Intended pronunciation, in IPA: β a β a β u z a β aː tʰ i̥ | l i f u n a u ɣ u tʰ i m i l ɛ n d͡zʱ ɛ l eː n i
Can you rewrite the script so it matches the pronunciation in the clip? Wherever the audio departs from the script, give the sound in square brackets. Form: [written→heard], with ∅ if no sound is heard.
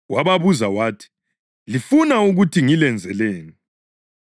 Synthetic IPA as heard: [β→w] a β a β u z a [β→w] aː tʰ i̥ | l i f u n a u ɣ u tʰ i [m→ŋ] i l ɛ n d͡zʱ ɛ l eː n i